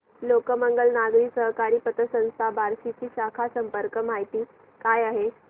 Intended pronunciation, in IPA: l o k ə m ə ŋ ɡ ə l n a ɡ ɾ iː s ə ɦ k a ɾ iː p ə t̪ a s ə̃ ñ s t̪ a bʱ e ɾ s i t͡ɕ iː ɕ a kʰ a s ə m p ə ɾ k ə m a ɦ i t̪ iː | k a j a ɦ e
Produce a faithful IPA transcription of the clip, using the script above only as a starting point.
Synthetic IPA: l o k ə m ə ŋ ɡ ə l n a ɡ ɾ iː s ə ɦ k a ɾ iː p ə t̪ ə s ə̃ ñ s t̪ʰ a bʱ a ɾ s i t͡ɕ iː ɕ a kʰ a s ə m p ə ɾ k ə m a ɦ i t̪ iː | k a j a ɦ e